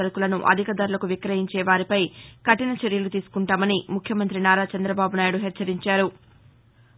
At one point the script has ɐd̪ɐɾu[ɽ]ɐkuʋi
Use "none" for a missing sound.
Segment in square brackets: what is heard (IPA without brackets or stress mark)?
l